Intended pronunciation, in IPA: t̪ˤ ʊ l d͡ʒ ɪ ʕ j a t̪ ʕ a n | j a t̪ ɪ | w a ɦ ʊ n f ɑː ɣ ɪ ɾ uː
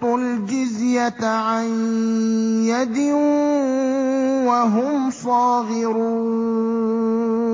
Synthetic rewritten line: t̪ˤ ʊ l d͡ʒ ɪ z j a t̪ ʕ a n | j a d̪ ɪ | w a ɦ ʊ m f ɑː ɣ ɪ ɾ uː

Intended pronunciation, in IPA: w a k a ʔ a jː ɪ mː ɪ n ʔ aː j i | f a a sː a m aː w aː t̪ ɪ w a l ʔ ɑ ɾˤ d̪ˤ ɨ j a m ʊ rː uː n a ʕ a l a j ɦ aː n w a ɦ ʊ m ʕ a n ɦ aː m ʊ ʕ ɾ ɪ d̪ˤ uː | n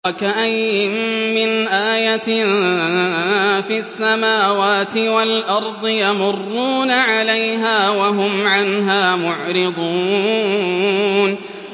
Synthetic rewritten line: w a k a ʔ a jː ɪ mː ɪ n ʔ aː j a | f i a sː a m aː w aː t̪ ɪ w a l ʔ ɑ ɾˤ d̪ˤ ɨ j a m ʊ rː uː n a ʕ a l a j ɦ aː w a ɦ ʊ m ʕ a n ɦ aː m ʊ ʕ ɾ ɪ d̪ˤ uː | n

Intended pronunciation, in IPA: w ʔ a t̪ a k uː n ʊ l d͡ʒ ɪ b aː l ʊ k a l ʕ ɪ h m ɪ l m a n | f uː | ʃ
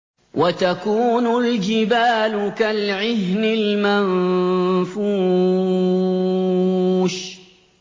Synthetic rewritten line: w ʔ a t̪ a k uː n ʊ l d͡ʒ ɪ b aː l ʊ k a l ʕ ɪ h n ɪ l m a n | f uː | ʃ

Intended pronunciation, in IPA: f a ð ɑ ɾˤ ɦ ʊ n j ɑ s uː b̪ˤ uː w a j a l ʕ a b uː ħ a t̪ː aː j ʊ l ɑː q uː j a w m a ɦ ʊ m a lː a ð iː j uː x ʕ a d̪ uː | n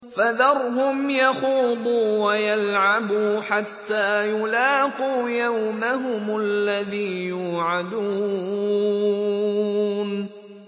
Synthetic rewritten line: f a ð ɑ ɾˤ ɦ ʊ m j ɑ x uː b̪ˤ uː w a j a l ʕ a b uː ħ a t̪ː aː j ʊ l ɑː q uː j a w m a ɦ ʊ m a lː a ð iː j uː ʕ a d̪ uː | n

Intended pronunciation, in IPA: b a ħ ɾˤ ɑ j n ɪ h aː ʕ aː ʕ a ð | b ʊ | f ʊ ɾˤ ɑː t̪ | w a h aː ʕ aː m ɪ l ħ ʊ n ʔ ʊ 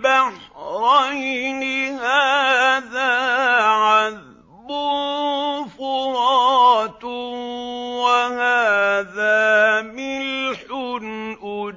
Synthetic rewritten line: b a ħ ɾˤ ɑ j n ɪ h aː ð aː ʕ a ð | b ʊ | f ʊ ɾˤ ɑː t̪ | w a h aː ð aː m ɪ l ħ ʊ n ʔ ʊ

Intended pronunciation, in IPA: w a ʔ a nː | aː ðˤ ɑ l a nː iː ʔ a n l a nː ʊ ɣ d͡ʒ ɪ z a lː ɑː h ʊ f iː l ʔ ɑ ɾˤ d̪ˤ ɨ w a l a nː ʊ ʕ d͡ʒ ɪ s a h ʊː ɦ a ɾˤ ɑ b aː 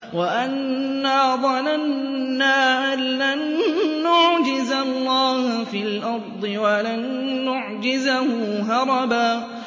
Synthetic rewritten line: w a ʔ a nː | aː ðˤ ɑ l a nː aː ʔ a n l a nː ʊ ʕ d͡ʒ ɪ z a lː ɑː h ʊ f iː l ʔ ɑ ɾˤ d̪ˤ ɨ w a l a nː ʊ ʕ d͡ʒ ɪ z a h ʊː ɦ ɑ ɾˤ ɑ b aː

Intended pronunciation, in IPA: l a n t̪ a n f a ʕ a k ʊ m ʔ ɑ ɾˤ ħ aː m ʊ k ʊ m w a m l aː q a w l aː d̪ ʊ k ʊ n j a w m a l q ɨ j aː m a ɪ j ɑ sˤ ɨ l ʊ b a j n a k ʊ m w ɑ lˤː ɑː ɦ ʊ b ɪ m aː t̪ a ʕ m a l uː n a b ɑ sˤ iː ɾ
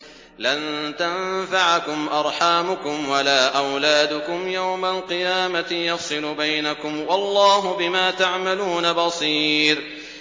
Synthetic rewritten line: l a n t̪ a n f a ʕ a k ʊ m ʔ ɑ ɾˤ ħ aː m ʊ k ʊ m w a l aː ʔ a w l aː d̪ ʊ k ʊ m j a w m a l q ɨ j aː m a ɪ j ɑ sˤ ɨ l ʊ b a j n a k ʊ m w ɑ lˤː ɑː ɦ ʊ b ɪ m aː t̪ a ʕ m a l uː n a b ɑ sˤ iː ɾ

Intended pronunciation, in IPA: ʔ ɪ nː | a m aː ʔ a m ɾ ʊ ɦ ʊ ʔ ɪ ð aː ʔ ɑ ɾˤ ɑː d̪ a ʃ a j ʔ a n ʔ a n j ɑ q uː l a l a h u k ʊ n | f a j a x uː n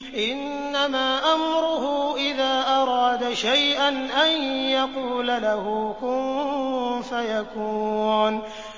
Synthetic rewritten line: ʔ ɪ nː | a m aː ʔ a m ɾ ʊ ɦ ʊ ʔ ɪ ð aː ʔ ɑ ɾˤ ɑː d̪ a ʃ a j ʔ a n ʔ a n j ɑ q uː l a l a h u k ʊ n | f a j a k uː n

